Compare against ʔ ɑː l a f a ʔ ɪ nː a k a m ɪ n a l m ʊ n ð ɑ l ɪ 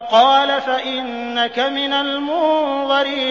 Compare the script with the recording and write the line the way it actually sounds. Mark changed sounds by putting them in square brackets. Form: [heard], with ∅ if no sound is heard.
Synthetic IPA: [q] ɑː l a f a ʔ ɪ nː a k a m ɪ n a l m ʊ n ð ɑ [ɾ] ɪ

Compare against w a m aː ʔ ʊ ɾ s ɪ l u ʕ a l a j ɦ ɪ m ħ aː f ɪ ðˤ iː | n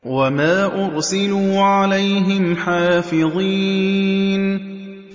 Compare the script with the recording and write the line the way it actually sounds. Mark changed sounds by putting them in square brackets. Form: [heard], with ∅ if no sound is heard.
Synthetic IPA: w a m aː ʔ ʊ ɾ s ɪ l [uː] ʕ a l a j ɦ ɪ m ħ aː f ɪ ðˤ iː | n

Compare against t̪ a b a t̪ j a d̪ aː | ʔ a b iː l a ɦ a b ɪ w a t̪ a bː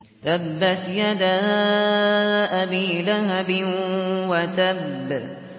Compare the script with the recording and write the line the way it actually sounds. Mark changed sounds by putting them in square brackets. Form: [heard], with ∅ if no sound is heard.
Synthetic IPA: t̪ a [bː] a t̪ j a d̪ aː | ʔ a b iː l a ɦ a b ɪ w a t̪ a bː

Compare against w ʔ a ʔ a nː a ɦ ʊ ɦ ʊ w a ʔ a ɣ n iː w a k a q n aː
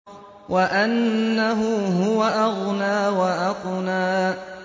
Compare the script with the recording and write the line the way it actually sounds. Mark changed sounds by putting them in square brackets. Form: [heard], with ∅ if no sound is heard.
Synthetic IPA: w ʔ a ʔ a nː a ɦ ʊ ɦ ʊ w a ʔ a ɣ n [aː] w a [ʔ] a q n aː

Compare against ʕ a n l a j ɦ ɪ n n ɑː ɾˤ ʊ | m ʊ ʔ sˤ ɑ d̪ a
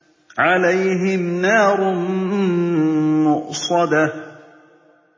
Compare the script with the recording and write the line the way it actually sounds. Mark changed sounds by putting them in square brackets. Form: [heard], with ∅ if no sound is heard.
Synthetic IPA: ʕ a [∅] l a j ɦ ɪ [m] n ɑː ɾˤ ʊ | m ʊ ʔ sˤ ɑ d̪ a

